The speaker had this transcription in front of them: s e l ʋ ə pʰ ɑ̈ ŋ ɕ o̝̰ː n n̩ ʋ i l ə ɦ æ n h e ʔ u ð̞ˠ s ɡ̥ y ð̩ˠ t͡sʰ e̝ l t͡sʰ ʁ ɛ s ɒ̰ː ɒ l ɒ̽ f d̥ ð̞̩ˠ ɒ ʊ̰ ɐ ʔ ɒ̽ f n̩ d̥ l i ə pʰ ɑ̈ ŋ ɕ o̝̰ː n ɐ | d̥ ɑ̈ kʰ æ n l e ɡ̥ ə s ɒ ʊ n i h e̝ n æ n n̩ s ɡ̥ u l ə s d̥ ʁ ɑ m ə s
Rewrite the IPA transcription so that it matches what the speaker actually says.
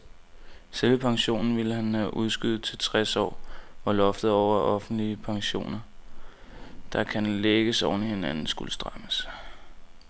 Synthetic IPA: s e l ʋ ə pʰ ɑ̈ ŋ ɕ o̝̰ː n n̩ ʋ i l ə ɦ æ n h æ ʔ u ð̞ˠ s ɡ̥ y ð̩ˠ t͡sʰ e̝ l t͡sʰ ʁ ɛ s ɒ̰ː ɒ l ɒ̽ f d̥ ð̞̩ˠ ɒ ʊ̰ ɐ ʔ ɒ̽ f n̩ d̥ l i ə pʰ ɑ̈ ŋ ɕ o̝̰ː n ɐ | d̥ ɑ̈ kʰ æ n l e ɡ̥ ə s ɒ ʊ n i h e̝ n æ n n̩ s ɡ̥ u l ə s d̥ ʁ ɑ m ə s